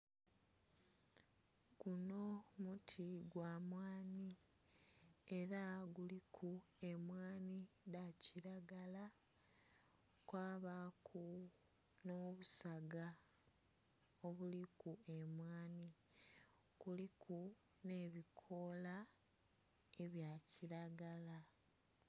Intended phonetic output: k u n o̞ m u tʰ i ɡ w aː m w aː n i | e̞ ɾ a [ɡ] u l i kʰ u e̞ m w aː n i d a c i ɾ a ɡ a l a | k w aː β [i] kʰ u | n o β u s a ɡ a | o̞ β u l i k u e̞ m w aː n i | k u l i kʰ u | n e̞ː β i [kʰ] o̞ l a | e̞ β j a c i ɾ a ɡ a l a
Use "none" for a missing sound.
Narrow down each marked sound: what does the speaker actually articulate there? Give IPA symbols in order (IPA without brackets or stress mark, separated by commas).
ɡ, a, kʰ